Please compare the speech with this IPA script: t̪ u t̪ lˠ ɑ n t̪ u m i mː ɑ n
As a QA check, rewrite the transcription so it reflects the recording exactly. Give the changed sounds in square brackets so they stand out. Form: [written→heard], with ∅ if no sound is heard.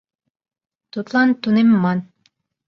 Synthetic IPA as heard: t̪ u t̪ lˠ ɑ n t̪ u [m→n] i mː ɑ n